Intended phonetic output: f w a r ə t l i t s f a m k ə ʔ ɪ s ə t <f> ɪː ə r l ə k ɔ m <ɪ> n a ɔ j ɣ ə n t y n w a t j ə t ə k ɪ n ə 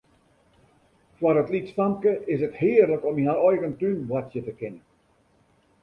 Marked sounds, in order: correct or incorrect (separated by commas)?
incorrect, incorrect